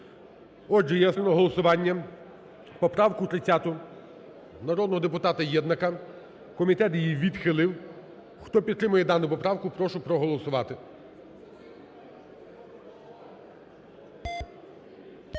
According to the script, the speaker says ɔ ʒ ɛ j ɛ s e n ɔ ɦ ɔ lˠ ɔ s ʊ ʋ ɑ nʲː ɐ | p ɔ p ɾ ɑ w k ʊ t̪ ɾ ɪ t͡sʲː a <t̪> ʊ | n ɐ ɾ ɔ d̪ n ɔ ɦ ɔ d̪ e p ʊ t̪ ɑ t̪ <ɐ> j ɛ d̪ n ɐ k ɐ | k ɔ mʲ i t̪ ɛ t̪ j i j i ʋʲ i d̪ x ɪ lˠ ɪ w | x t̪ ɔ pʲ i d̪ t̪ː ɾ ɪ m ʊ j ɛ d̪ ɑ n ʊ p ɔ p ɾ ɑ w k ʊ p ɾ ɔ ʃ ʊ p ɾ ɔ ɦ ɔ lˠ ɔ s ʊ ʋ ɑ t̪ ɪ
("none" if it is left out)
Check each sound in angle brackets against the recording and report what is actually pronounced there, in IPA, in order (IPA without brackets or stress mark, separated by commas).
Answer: t̪, ɐ